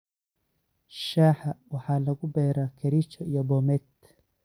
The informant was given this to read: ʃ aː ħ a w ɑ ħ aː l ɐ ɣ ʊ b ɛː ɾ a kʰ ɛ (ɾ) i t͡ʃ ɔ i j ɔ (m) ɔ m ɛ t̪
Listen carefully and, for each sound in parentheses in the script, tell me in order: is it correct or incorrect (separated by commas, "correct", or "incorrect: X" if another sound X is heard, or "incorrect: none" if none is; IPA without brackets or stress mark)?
correct, incorrect: b